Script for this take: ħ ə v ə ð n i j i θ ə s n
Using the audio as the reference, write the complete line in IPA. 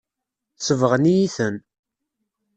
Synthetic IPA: s ə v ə ʁ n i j i θ ə n